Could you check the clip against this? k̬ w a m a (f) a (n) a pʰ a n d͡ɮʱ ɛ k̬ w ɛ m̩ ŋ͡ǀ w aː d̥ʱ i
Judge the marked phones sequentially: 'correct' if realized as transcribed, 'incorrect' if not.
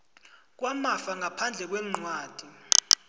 correct, incorrect: ŋ

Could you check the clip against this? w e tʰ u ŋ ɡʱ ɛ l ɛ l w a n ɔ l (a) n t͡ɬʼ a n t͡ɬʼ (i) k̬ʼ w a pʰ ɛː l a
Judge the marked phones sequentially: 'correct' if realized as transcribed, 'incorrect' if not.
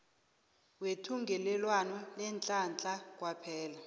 incorrect: ɛ, incorrect: a

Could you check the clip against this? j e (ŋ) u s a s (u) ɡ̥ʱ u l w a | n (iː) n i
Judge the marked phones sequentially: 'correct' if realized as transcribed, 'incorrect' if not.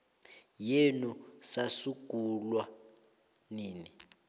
incorrect: n, correct, correct

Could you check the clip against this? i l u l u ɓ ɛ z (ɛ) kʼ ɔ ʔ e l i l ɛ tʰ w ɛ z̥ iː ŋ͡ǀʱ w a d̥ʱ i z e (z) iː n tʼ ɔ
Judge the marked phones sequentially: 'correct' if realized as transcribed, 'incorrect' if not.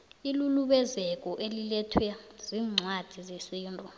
correct, incorrect: s

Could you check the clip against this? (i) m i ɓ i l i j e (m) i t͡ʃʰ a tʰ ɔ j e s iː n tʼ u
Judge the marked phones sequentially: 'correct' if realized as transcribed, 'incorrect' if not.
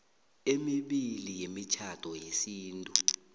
incorrect: e, correct

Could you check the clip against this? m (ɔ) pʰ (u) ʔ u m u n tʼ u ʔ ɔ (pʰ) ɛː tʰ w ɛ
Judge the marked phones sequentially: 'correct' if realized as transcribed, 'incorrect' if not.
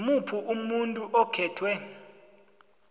incorrect: u, correct, incorrect: kʰ

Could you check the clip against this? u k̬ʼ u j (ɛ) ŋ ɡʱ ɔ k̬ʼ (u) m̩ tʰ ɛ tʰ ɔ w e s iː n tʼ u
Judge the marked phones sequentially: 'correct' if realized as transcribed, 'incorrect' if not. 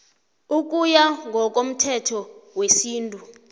incorrect: a, incorrect: o

